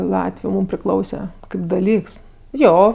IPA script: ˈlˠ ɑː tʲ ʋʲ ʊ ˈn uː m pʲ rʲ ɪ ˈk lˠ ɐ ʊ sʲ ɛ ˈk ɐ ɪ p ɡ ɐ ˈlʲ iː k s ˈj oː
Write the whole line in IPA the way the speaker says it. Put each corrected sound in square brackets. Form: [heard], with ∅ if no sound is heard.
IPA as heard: ˈlˠ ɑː tʲ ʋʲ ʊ [ˈm] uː m pʲ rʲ ɪ ˈk lˠ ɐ ʊ sʲ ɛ ˈk ɐ ɪ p [d] ɐ ˈlʲ iː k s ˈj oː